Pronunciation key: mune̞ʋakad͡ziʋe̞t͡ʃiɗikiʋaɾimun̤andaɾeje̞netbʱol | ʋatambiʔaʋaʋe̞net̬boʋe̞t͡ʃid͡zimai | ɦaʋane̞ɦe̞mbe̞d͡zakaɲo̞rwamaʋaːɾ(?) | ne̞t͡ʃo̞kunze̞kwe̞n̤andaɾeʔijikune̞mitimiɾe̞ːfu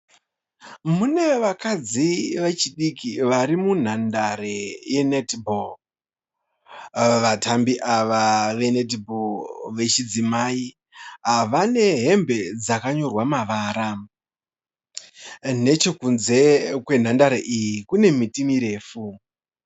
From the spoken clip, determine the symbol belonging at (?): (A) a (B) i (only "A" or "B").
A